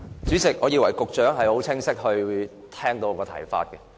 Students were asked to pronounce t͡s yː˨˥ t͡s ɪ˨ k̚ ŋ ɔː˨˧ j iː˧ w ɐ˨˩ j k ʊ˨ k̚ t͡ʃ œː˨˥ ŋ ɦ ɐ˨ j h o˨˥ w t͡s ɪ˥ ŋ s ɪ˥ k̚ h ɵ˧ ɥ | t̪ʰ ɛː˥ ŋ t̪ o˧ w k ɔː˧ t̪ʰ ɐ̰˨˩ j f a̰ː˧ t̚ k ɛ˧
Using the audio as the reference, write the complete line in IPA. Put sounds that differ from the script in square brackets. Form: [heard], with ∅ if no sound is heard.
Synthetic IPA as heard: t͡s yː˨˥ t͡s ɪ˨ k̚ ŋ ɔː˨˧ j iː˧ w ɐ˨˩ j k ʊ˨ k̚ t͡ʃ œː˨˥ ŋ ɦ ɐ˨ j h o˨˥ w [t͡sʰ] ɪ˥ ŋ s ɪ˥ k̚ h ɵ˧ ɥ | t̪ʰ ɛː˥ ŋ t̪ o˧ w k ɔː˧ t̪ʰ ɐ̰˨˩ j f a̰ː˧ t̚ k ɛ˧